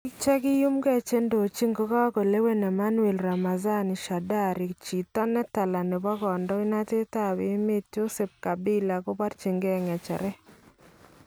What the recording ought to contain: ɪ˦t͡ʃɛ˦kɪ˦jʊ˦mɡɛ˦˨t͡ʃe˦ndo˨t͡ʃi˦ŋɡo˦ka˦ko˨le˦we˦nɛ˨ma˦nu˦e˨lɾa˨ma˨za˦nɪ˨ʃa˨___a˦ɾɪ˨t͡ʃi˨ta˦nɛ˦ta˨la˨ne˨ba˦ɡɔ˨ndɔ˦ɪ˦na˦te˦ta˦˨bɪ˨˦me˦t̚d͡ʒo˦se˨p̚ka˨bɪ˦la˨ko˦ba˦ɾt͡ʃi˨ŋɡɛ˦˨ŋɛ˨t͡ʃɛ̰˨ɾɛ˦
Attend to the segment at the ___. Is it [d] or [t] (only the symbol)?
d